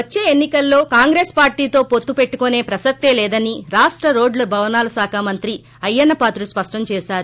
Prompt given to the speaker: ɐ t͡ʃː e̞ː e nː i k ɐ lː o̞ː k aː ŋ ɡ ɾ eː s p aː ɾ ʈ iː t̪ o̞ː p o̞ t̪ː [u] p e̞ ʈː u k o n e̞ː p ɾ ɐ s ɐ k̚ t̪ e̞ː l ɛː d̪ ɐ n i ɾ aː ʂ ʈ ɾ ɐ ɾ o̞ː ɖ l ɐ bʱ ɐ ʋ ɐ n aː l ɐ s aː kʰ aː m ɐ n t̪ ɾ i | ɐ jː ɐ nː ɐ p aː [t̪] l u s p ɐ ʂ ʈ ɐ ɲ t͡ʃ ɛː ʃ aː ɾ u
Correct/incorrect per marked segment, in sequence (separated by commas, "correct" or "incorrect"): correct, correct